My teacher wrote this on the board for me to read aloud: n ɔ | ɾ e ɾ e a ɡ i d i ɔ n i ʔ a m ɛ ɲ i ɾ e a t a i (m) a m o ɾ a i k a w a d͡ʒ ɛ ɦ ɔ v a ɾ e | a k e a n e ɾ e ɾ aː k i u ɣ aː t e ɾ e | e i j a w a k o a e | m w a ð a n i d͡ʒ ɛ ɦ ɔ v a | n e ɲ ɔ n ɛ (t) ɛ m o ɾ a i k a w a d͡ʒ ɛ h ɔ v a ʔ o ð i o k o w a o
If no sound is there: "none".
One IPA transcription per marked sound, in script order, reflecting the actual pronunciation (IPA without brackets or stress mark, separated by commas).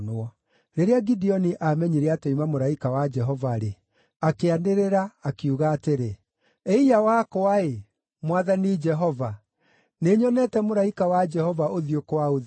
m, t